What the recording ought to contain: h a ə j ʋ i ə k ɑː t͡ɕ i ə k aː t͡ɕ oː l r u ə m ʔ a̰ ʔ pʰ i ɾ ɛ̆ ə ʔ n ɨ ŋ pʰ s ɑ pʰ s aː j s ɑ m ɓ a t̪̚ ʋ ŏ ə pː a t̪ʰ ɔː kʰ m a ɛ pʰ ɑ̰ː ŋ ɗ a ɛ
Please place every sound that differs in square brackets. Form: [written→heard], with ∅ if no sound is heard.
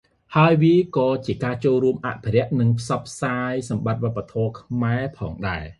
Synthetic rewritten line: h a ə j ʋ i ə k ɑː t͡ɕ i ə k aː t͡ɕ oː l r u ə m ʔ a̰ ʔ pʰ i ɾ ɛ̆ ə ʔ n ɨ ŋ pʰ s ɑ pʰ s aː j s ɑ m ɓ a t̪̚ ʋ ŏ ə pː a t̪ʰ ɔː kʰ m a ɛ pʰ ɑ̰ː ŋ ɗ a ɛ